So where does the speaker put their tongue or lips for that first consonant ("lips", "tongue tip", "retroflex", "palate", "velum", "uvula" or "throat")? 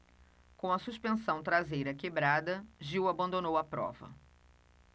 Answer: velum